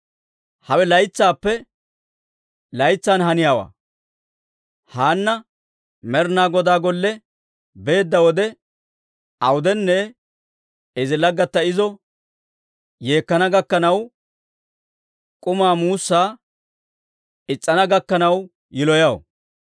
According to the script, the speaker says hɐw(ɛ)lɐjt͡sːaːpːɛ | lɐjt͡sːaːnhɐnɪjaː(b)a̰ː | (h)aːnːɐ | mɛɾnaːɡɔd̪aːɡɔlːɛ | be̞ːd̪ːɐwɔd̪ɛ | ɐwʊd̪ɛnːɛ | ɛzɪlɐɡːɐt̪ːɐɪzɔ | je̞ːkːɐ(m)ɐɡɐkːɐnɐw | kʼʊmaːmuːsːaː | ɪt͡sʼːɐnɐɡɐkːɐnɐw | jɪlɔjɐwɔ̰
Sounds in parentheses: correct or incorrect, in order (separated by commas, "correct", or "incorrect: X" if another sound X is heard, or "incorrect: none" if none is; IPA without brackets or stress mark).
correct, incorrect: w, correct, incorrect: n